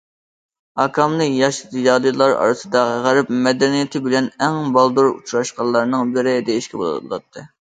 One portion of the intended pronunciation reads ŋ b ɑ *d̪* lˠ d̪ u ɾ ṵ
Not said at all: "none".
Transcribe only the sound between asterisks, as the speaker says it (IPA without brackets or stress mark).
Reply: none